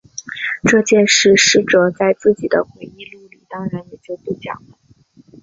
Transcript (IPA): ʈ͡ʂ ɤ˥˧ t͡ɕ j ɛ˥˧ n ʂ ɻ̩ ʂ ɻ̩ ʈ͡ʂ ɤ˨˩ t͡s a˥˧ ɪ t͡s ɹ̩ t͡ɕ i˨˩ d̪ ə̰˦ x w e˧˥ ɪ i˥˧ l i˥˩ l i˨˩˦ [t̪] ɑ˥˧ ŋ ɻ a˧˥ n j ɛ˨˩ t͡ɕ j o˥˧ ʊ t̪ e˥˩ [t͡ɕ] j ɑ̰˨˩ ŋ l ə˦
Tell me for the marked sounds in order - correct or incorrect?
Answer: correct, correct

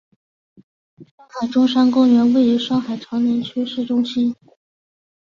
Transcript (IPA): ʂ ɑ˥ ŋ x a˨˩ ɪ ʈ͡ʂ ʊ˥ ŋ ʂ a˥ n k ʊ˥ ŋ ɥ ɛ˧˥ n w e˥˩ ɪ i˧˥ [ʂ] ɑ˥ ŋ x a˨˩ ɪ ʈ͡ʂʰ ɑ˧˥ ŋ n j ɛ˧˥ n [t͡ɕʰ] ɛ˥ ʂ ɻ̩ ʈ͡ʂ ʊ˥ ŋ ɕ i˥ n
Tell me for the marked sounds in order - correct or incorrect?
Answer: correct, correct

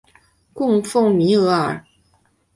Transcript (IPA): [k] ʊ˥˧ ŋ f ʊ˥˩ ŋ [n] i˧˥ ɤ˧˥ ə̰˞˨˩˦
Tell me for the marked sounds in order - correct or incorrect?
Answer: correct, incorrect: m

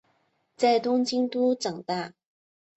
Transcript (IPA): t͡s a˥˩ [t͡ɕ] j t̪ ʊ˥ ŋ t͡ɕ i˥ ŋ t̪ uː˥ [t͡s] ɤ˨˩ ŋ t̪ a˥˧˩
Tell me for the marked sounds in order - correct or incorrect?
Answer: incorrect: none, correct

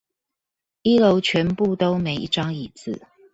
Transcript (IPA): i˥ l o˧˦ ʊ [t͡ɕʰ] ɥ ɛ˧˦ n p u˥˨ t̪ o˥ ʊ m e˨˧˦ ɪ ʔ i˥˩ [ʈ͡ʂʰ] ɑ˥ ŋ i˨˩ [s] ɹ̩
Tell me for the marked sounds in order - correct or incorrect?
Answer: correct, incorrect: ʈ͡ʂ, incorrect: t͡s

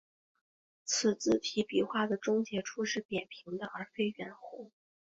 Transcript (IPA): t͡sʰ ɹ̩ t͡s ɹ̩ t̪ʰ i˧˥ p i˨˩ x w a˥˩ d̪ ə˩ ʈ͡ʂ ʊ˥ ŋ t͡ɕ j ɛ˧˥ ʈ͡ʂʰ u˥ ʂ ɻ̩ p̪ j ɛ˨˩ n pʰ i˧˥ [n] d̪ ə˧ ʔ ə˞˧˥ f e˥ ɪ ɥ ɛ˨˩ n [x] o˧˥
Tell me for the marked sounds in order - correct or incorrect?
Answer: incorrect: ŋ, correct

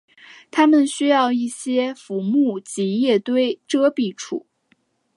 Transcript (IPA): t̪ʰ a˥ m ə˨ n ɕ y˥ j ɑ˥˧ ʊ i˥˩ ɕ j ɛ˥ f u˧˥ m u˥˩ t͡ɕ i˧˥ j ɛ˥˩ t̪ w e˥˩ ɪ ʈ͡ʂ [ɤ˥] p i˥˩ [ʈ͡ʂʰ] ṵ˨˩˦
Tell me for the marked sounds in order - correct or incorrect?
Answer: correct, correct

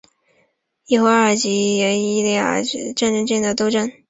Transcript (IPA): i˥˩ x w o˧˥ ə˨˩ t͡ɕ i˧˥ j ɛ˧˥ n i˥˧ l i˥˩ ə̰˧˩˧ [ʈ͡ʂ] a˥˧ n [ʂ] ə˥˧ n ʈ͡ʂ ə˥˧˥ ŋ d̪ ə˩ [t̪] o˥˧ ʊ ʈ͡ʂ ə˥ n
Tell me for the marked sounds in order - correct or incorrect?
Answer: correct, incorrect: ʈ͡ʂ, correct

